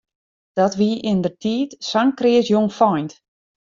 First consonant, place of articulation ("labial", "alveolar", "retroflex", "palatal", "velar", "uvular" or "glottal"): alveolar